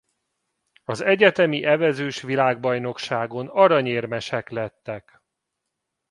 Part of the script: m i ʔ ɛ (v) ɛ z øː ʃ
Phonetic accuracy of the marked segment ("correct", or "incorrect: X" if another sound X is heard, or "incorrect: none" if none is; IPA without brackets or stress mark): correct